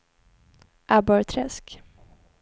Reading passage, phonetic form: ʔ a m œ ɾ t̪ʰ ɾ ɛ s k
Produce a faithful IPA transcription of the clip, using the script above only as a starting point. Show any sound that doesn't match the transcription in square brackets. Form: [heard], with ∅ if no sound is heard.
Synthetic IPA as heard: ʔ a [b] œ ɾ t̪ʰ ɾ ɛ s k